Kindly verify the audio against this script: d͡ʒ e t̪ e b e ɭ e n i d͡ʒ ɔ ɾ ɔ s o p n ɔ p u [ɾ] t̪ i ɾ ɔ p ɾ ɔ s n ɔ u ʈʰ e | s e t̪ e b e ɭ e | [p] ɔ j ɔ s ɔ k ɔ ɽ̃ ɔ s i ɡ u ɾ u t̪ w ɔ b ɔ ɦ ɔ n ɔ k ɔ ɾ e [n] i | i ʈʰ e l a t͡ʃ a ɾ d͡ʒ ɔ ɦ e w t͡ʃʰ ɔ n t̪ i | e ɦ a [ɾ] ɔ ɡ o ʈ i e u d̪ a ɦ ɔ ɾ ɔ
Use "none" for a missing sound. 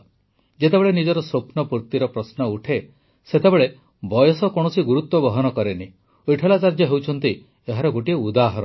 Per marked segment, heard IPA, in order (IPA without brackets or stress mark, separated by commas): ɾ, b, n, ɾ